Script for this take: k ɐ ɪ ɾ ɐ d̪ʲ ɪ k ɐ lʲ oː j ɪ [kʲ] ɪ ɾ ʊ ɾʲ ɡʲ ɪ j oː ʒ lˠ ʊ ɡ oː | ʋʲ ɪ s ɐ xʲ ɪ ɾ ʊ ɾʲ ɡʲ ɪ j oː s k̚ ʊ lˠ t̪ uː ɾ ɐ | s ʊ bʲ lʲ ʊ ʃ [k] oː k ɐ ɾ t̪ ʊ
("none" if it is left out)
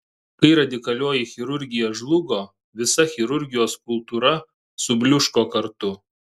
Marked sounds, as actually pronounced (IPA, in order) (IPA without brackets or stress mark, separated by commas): xʲ, k